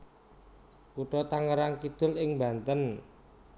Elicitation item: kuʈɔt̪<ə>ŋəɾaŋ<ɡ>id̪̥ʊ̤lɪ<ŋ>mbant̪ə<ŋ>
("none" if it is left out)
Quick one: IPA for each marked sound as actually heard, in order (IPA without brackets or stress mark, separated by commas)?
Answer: a, k, ŋ, n